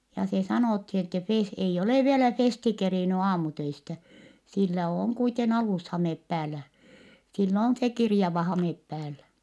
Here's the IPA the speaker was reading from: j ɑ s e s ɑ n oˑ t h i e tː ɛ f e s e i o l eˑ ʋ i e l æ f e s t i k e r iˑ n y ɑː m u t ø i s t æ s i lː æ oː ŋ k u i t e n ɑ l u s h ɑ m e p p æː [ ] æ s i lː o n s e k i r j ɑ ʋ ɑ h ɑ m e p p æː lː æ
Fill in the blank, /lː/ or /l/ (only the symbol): lː